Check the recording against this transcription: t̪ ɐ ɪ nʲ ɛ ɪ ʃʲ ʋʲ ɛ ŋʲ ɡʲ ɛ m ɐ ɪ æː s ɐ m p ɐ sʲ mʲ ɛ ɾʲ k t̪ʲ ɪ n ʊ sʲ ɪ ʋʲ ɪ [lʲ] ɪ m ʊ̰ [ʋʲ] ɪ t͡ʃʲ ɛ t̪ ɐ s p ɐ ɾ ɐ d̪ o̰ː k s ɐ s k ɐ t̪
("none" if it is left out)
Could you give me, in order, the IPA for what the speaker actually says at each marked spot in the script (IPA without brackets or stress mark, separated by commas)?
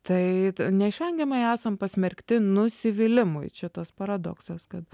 lʲ, none